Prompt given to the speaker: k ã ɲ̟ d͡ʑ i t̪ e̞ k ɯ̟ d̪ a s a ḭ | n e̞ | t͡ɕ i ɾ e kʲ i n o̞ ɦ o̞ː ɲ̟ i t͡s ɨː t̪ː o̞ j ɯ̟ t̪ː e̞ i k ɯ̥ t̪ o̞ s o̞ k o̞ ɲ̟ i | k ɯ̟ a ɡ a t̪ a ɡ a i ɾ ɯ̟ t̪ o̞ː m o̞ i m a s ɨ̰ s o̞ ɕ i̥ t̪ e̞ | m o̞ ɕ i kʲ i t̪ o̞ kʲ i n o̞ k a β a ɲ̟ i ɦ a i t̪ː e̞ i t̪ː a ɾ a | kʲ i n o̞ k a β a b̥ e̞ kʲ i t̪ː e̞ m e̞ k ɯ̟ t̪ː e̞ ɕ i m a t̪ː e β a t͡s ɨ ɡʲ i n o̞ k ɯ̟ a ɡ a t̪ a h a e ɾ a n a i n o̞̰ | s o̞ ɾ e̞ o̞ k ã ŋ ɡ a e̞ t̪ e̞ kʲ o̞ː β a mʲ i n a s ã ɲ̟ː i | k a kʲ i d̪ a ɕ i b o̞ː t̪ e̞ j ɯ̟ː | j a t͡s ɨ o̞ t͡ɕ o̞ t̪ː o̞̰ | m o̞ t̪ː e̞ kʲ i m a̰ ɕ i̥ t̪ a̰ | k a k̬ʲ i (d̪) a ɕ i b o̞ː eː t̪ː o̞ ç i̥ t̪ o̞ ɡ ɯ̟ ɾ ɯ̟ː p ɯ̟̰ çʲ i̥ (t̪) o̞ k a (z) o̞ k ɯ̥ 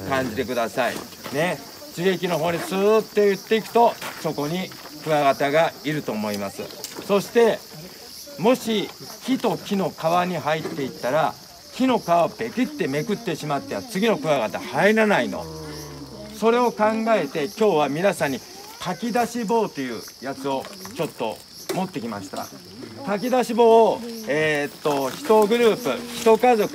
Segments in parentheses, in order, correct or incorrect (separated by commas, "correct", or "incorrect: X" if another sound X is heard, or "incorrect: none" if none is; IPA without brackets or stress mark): correct, correct, correct